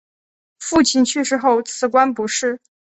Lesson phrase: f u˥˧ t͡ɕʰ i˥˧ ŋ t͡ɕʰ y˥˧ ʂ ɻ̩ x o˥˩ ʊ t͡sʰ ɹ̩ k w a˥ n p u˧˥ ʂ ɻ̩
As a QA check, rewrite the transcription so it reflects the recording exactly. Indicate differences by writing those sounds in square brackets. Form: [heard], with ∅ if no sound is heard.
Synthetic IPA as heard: f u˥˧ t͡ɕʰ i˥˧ [n] t͡ɕʰ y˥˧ ʂ ɻ̩ x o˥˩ ʊ t͡sʰ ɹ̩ k w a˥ n p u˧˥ ʂ ɻ̩